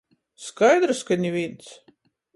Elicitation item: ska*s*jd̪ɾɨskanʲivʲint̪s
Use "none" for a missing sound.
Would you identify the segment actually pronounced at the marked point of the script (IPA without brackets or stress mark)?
none